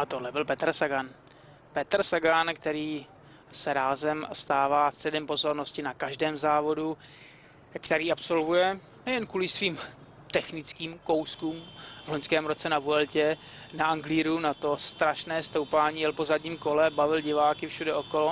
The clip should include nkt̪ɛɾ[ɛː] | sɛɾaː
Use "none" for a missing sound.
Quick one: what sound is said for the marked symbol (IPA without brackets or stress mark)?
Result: iː